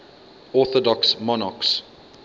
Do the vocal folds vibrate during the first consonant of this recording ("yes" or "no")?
no